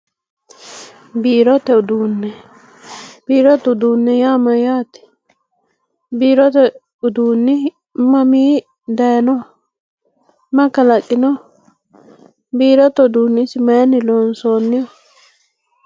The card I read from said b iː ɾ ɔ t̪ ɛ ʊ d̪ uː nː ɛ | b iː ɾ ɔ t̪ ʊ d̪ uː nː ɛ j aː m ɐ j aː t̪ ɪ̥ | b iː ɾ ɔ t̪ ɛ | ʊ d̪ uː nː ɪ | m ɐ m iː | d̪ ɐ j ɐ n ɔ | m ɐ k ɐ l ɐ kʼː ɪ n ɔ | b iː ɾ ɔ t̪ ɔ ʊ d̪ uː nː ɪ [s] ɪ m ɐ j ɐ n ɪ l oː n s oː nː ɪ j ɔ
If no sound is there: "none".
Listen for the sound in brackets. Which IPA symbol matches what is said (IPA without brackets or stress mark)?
s